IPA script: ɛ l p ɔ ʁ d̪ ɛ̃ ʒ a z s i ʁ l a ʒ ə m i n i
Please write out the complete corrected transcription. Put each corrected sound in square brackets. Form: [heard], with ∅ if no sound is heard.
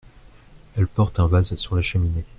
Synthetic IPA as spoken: ɛ l p ɔ ʁ [t̪] ɛ̃ [v] a z s [y] ʁ l a [ʃ] ə m i n [e]